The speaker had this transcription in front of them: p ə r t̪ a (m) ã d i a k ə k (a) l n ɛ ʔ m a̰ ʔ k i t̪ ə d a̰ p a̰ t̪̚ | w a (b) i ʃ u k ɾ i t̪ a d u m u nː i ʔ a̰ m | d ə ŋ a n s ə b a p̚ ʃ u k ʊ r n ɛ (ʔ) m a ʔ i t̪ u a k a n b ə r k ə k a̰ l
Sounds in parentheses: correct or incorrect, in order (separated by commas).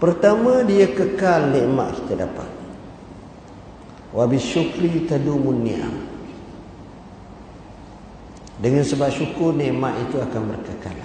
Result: correct, correct, correct, correct